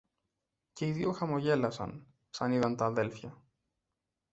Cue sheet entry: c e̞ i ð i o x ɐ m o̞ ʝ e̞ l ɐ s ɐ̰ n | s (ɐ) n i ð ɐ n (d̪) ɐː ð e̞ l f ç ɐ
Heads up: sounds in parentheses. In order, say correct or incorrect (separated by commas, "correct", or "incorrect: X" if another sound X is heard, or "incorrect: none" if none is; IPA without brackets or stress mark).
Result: correct, incorrect: t̪